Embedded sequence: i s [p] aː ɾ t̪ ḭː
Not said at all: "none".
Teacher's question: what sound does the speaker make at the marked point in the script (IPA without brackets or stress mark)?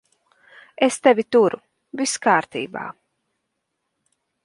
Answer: k